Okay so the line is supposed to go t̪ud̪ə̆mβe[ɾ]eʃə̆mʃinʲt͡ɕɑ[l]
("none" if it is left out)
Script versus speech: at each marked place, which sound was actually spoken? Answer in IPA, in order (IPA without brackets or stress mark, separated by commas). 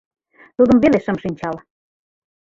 l, l